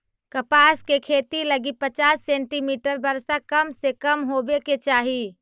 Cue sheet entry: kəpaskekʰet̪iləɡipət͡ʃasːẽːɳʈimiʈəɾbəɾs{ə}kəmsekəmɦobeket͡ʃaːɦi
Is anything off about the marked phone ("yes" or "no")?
yes